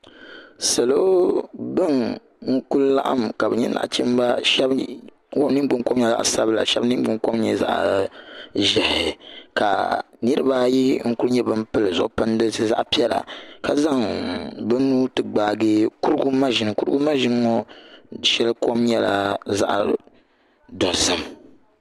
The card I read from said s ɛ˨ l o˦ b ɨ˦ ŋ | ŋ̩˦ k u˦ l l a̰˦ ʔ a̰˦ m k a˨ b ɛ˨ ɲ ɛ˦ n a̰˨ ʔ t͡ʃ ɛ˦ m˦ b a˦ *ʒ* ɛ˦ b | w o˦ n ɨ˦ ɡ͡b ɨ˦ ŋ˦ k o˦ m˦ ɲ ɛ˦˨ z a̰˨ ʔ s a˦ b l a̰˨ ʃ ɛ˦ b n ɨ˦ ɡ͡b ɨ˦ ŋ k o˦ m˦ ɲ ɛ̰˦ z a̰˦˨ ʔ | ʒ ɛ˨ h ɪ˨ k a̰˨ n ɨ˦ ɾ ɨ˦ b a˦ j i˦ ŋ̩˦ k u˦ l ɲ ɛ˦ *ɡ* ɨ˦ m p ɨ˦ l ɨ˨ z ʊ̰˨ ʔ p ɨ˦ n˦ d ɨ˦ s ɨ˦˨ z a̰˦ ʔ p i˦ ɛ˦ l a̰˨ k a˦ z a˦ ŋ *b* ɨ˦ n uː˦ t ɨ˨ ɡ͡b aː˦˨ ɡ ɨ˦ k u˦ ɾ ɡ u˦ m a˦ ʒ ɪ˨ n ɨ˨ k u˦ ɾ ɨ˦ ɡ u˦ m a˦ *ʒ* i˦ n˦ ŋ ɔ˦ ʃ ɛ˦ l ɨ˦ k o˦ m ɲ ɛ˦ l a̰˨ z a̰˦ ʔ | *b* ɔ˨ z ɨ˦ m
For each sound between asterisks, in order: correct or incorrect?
incorrect, incorrect, correct, correct, incorrect

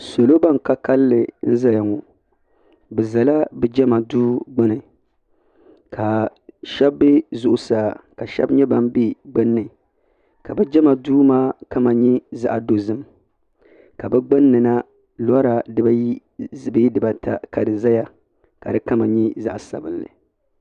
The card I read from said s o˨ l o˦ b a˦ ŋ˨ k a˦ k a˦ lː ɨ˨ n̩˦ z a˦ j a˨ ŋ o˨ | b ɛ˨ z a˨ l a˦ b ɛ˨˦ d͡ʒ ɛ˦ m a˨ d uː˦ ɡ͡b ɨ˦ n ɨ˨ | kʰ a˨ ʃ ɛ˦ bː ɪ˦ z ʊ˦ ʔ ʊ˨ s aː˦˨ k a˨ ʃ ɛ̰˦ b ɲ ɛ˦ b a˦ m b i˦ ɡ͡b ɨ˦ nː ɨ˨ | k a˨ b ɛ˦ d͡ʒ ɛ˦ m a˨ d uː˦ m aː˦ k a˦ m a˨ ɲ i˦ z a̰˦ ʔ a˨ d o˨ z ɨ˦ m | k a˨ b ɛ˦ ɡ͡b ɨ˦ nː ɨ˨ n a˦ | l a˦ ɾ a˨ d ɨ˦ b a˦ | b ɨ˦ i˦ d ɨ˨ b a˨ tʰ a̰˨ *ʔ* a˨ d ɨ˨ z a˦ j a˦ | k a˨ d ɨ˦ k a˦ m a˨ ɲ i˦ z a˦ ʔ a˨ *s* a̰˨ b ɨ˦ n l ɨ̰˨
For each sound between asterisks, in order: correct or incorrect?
incorrect, correct

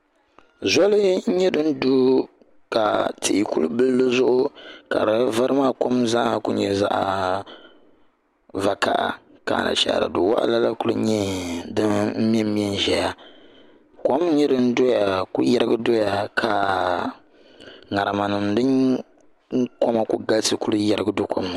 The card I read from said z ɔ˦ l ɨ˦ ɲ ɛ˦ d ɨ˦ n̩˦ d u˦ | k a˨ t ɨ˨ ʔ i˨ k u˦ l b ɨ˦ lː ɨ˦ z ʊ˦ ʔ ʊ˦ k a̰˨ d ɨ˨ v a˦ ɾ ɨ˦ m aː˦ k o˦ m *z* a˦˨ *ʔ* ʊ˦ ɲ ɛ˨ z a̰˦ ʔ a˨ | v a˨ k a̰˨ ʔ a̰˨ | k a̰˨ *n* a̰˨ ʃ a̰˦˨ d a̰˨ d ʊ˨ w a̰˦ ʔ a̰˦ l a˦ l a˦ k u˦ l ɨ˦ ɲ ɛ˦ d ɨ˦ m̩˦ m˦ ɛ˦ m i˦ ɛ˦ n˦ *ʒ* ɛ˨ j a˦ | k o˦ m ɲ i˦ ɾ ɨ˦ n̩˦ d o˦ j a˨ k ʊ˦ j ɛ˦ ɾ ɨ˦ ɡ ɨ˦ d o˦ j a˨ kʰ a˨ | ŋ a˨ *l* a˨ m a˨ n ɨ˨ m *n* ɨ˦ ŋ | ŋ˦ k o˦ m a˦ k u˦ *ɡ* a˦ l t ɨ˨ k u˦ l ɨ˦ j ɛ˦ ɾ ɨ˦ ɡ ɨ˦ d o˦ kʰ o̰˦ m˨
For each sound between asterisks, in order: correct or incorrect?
correct, incorrect, correct, correct, incorrect, incorrect, correct

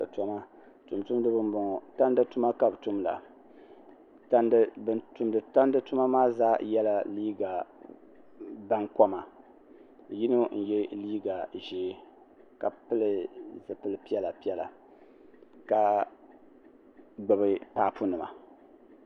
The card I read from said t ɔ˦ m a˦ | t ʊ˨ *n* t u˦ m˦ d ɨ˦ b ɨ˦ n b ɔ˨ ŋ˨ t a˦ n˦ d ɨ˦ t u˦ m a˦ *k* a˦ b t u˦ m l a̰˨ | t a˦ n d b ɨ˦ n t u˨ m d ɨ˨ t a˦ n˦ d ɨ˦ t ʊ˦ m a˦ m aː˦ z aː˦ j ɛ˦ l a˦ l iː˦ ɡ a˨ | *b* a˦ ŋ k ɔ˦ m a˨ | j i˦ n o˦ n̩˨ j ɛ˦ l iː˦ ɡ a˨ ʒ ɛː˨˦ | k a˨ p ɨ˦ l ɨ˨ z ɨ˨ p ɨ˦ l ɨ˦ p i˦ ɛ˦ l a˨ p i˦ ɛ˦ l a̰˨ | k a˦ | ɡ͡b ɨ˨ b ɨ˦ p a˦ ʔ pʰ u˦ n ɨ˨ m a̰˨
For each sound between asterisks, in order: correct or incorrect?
incorrect, correct, correct

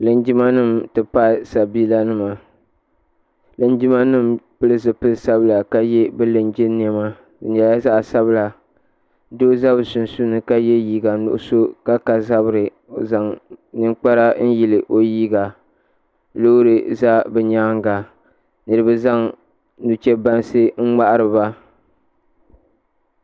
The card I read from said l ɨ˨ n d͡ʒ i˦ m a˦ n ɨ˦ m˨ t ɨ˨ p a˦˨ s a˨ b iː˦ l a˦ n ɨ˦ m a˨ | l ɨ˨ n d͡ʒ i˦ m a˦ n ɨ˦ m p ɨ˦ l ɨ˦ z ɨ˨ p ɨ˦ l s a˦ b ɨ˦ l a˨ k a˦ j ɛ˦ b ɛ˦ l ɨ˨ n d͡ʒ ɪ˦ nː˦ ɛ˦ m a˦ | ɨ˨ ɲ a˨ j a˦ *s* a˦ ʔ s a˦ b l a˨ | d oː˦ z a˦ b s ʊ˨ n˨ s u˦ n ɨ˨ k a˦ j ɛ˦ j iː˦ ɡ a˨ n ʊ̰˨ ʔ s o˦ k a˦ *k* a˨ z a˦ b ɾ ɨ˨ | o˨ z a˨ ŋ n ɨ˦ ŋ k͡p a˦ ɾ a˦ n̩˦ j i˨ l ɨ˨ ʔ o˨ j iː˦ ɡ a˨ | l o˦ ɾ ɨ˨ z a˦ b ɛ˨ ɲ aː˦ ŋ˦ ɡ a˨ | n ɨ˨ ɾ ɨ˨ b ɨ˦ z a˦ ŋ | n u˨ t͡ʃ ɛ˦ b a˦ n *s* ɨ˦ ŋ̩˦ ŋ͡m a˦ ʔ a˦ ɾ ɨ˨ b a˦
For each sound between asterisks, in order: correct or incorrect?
incorrect, correct, correct

